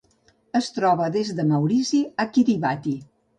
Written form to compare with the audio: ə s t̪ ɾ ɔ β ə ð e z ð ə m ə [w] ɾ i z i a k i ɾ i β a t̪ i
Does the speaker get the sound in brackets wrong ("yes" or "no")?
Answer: no